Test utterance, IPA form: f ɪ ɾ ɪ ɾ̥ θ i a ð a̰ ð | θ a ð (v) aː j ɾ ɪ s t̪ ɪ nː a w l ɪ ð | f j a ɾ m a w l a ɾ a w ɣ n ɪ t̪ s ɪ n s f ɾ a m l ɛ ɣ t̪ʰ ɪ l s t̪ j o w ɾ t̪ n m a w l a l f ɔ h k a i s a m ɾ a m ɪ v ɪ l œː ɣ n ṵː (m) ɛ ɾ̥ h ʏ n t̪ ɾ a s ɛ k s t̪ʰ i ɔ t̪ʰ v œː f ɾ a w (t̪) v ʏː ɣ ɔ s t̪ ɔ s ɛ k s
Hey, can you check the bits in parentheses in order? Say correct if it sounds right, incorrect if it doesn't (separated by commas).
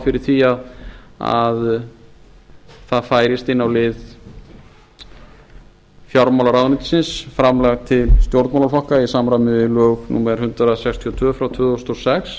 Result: incorrect, correct, incorrect